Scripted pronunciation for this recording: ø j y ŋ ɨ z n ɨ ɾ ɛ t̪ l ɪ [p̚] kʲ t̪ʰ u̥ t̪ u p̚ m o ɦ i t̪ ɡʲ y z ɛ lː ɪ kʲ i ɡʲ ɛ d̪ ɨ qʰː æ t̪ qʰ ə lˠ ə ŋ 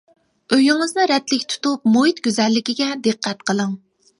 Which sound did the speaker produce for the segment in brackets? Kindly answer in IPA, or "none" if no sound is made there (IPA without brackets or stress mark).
none